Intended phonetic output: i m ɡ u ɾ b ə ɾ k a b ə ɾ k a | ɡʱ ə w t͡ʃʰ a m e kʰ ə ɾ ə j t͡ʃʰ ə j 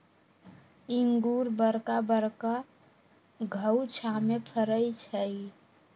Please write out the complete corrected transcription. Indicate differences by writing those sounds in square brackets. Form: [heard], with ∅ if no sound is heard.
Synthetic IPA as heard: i [ŋ] ɡ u ɾ b ə ɾ k a b ə ɾ k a | ɡʱ ə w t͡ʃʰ a m e [pʰ] ə ɾ ə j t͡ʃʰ ə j

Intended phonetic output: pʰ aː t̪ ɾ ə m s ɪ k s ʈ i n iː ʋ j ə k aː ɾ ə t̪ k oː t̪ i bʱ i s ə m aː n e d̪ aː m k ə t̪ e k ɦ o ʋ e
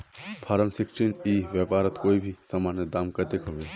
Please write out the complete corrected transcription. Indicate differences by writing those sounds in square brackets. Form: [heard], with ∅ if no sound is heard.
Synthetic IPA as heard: pʰ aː [∅] ɾ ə m s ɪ k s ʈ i n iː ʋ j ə [p] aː ɾ ə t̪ k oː [∅] i bʱ i s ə m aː n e d̪ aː m k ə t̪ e k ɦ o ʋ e

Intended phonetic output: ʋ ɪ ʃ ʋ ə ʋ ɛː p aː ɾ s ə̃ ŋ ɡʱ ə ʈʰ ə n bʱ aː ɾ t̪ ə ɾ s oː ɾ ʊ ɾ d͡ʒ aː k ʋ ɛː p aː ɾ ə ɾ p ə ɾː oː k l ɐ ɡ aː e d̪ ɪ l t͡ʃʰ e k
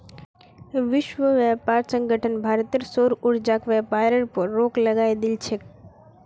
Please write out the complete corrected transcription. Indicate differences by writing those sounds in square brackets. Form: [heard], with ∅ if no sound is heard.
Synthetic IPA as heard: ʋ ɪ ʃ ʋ ə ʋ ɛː p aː ɾ s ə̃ ŋ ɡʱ ə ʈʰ ə n bʱ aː ɾ t̪ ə ɾ s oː ɾ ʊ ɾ d͡ʒ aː k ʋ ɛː p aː ɾ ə ɾ p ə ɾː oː k l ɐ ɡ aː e d̪ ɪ l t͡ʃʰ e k

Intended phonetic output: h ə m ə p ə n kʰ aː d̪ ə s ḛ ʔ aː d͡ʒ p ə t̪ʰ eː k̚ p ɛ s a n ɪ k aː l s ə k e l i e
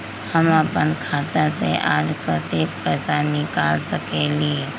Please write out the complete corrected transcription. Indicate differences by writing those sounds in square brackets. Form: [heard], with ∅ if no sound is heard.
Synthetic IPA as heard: h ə m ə p ə n kʰ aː [t̪] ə s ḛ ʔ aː d͡ʒ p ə [t̪] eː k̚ p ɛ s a n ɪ k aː l s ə k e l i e

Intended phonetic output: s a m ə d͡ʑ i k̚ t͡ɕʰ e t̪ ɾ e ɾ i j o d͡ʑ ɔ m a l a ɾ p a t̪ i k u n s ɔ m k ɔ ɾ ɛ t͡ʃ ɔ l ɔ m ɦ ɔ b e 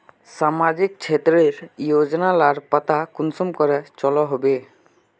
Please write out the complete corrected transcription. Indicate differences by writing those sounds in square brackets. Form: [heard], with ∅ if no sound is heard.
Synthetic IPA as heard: s a m [a] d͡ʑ i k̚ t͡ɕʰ e t̪ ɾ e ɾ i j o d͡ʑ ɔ [n] a l a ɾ p a t̪ [a] k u n s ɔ m k ɔ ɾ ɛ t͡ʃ ɔ l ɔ [∅] ɦ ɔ b e

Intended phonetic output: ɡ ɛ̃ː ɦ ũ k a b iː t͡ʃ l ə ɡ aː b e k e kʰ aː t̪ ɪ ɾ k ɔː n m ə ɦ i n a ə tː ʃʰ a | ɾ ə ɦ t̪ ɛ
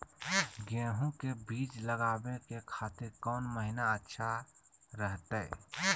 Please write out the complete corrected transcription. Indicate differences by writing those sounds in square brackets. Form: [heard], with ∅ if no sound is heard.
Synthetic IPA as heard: ɡ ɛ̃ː ɦ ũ k [e] b iː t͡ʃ l ə ɡ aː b e k e kʰ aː t̪ ɪ ɾ k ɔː n m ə ɦ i n a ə tː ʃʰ a | ɾ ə ɦ t̪ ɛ

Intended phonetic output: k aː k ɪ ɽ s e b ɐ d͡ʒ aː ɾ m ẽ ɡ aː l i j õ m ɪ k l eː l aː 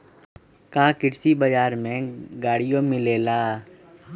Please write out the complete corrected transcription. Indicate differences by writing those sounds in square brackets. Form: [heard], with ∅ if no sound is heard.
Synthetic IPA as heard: k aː k ɪ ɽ s [i] b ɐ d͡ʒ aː ɾ m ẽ ɡ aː [ɽ] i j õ m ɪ [∅] l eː l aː

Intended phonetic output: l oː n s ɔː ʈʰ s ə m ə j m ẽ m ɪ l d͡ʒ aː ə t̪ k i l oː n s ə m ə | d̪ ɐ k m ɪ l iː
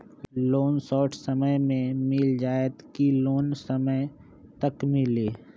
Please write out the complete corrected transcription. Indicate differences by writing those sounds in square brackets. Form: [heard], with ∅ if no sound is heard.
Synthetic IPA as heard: l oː n s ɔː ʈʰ s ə m ə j m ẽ m ɪ l d͡ʒ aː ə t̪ k i l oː n s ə m ə | [t̪] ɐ k m ɪ l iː

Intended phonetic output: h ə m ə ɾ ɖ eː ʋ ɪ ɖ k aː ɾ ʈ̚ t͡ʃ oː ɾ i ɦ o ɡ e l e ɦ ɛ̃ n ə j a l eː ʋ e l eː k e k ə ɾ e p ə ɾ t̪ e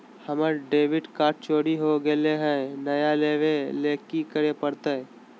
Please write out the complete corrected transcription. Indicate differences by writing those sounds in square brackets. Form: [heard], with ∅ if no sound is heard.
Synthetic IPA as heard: h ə m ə ɾ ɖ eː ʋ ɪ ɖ k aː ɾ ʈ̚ t͡ʃ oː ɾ i ɦ o ɡ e l e ɦ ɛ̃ n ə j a l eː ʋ e l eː k [i] k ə ɾ e p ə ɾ t̪ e

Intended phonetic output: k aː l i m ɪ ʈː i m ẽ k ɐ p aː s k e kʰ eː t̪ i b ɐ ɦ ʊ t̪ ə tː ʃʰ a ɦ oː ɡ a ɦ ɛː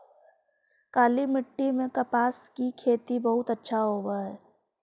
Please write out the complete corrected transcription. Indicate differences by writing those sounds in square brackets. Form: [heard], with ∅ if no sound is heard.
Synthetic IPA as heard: k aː l i m ɪ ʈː i m ẽ k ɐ p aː s k [i] kʰ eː t̪ i b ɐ ɦ ʊ t̪ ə tː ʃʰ a ɦ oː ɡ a ɦ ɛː

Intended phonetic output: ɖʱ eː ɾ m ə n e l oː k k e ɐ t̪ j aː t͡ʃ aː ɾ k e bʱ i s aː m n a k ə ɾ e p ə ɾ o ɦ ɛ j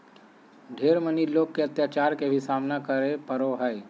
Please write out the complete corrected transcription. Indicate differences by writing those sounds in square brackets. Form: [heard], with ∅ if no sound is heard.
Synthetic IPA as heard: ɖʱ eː ɾ m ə n [i] l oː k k e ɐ t̪ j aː t͡ʃ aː ɾ k e bʱ i s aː m n a k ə ɾ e p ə ɾ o ɦ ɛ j

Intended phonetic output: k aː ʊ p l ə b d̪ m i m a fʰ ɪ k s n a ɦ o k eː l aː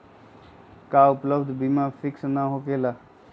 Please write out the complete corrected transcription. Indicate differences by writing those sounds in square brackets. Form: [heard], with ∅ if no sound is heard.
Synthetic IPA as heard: k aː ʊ p l ə b d̪ [b] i m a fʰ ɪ k s n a ɦ o k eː l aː

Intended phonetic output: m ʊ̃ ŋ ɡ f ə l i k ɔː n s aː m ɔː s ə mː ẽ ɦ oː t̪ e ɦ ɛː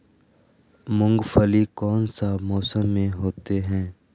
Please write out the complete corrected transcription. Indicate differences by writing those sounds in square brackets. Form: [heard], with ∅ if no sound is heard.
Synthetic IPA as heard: m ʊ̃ ŋ ɡ f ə l i k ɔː n s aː m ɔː s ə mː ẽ ɦ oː t̪ e ɦ [ɛ̃ː]

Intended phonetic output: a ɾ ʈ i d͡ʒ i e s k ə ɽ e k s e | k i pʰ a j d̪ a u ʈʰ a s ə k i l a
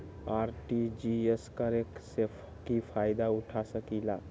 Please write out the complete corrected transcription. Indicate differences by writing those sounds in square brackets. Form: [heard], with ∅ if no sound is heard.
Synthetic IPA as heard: a ɾ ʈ i d͡ʒ i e s k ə [ɾ] e k s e | k i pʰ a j d̪ a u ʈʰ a s ə k i l a

